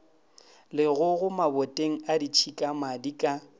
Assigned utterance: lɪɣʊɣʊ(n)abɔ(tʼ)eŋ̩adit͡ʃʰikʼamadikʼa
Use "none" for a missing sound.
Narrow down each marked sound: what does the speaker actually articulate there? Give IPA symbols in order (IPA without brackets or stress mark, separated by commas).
m, tʼ